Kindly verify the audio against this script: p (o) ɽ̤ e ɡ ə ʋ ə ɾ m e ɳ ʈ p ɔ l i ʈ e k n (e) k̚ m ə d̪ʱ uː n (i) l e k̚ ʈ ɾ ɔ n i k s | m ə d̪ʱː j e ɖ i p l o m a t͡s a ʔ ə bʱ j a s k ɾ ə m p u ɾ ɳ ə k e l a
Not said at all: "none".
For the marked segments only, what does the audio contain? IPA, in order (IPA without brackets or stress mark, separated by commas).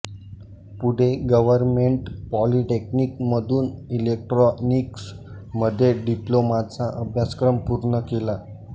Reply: u, i, i